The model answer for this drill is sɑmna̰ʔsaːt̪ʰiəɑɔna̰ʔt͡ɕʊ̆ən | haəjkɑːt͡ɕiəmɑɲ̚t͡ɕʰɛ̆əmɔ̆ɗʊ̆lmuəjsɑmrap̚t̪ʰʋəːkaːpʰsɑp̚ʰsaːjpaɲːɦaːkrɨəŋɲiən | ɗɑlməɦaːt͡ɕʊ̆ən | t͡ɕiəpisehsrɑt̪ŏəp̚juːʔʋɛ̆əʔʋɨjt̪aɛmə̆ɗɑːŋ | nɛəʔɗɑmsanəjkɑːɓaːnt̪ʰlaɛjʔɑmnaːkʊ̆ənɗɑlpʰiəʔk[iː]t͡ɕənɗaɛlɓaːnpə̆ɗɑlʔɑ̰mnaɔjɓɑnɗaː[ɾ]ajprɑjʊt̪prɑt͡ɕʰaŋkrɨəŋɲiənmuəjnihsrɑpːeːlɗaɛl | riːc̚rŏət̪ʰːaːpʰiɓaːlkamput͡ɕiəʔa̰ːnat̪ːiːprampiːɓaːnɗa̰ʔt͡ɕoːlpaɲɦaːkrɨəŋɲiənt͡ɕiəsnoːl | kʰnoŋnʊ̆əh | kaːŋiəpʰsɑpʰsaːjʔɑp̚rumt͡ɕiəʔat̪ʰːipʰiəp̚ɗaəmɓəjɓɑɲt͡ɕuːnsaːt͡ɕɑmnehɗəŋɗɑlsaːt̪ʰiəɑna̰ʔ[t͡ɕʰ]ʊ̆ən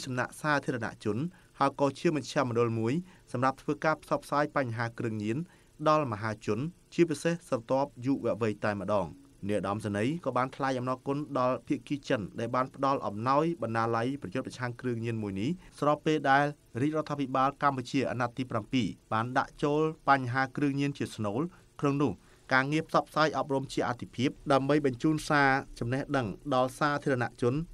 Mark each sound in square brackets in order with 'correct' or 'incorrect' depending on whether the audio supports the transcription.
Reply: correct, incorrect: l, incorrect: t͡ɕ

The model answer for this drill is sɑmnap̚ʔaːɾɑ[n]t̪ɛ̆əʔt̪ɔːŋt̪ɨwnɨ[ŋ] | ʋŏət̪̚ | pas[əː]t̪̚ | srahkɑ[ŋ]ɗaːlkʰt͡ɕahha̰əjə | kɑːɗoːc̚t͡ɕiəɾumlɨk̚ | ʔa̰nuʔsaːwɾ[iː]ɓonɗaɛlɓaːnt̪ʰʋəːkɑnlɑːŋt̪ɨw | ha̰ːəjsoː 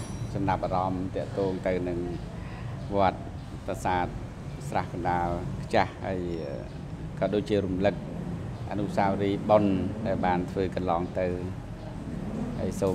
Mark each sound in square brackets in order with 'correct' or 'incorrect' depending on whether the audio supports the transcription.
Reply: incorrect: m, correct, incorrect: aː, incorrect: n, correct

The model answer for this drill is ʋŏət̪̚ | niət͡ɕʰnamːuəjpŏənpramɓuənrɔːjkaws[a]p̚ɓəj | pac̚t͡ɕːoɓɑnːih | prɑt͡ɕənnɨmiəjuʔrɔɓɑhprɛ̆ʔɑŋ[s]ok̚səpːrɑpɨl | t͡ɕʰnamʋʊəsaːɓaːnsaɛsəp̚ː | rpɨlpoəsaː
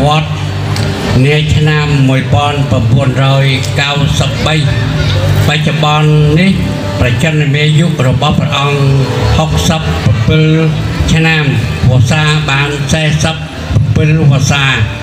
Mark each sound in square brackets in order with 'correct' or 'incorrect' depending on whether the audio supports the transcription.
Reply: incorrect: ə, incorrect: h

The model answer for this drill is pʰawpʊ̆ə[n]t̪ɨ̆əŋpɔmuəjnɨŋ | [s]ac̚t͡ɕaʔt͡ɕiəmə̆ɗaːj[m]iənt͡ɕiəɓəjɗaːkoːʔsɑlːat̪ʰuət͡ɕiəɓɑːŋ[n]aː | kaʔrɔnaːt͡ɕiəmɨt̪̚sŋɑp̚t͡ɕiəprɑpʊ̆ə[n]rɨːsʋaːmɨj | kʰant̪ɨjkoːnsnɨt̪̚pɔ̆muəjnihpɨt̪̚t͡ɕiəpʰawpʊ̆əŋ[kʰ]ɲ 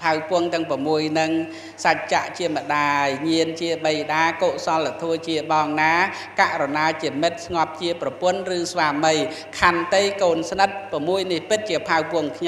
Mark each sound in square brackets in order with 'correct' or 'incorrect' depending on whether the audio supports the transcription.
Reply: incorrect: ŋ, correct, incorrect: ɲ, correct, correct, correct

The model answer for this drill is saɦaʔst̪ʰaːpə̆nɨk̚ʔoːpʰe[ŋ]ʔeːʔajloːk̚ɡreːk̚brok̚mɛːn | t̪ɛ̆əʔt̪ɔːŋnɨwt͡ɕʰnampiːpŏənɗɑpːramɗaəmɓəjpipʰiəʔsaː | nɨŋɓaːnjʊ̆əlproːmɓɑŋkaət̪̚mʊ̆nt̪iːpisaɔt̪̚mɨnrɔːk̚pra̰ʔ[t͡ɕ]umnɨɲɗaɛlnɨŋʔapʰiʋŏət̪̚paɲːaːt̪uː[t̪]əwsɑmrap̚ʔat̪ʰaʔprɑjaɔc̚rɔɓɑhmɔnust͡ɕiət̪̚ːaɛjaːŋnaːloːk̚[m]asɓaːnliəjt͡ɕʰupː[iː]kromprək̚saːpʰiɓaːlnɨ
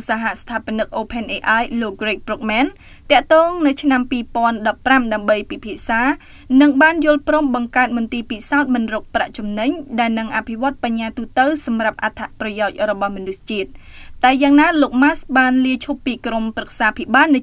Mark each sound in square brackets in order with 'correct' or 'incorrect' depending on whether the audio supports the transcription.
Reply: incorrect: n, correct, correct, correct, correct

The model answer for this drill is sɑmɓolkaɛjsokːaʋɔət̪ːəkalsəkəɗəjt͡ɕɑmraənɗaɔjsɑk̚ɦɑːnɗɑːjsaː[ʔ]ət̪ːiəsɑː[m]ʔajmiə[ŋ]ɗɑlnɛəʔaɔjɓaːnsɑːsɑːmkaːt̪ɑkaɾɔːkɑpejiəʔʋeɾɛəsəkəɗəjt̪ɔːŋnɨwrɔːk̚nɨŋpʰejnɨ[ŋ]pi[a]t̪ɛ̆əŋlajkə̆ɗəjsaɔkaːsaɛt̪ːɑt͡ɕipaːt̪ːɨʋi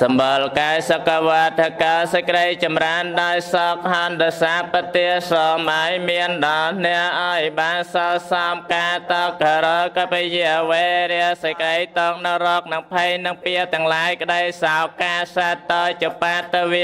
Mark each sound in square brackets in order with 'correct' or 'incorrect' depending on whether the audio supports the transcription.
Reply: incorrect: p, correct, incorrect: n, correct, incorrect: ə

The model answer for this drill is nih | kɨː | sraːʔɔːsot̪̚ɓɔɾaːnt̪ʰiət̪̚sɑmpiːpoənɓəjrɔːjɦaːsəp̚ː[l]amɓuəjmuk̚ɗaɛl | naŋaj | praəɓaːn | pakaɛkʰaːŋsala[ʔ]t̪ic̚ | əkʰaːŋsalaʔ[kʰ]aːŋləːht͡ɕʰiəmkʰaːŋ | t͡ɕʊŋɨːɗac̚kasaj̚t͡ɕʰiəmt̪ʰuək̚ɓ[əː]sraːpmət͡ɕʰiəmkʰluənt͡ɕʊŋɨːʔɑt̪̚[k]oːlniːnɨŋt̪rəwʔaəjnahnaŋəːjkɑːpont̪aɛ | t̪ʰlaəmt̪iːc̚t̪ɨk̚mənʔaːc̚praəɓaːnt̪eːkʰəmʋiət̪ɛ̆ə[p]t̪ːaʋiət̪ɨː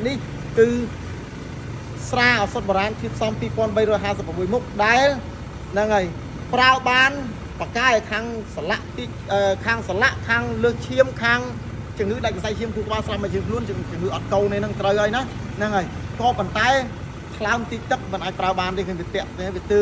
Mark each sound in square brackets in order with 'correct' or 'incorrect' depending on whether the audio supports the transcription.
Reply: incorrect: r, correct, correct, incorrect: aː, correct, incorrect: ʔ

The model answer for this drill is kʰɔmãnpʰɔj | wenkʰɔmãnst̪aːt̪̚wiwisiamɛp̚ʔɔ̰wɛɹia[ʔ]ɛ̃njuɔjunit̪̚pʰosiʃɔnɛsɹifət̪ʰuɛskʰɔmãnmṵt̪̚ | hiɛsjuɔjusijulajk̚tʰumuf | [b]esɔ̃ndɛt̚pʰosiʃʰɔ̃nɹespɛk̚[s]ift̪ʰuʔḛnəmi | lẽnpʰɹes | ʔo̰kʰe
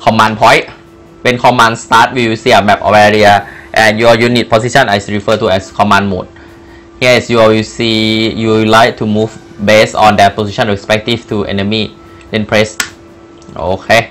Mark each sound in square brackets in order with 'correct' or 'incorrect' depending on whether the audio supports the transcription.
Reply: correct, correct, incorrect: t

